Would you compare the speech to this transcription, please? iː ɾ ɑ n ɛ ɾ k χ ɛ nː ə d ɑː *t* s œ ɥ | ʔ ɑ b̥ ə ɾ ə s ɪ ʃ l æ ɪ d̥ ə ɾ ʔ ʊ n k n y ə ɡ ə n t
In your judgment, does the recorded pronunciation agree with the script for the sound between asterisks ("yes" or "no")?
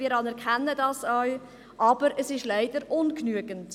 no